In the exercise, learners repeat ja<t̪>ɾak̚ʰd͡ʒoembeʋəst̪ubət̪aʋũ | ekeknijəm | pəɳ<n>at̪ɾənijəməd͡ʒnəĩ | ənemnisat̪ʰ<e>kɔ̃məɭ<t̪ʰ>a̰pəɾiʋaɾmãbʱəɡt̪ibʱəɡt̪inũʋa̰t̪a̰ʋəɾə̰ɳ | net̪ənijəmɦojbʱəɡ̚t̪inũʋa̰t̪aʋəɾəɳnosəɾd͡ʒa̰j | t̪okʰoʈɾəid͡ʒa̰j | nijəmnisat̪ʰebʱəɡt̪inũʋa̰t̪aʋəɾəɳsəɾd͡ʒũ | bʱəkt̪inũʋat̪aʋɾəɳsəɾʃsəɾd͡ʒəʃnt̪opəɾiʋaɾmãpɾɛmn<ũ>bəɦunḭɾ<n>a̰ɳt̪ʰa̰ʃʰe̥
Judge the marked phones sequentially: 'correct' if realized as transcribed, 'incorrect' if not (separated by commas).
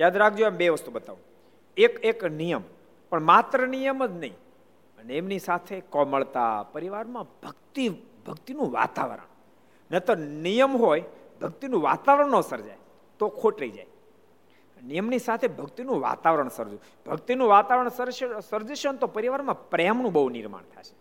incorrect, incorrect, correct, incorrect, correct, incorrect